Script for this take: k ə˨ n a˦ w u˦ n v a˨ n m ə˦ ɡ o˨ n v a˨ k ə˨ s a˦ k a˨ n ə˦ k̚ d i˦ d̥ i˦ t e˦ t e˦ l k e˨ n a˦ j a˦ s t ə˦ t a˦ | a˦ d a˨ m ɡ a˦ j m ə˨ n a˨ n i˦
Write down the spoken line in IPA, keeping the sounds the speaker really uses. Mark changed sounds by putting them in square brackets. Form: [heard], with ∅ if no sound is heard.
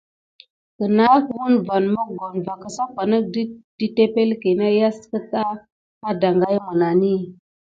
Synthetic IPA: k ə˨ n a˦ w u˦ n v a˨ n m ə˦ ɡ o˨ n v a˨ k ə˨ s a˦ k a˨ n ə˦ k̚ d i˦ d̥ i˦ t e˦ [p] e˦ l k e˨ n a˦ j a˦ s [k] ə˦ t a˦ | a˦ d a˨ [ŋ] ɡ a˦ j m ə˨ n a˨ n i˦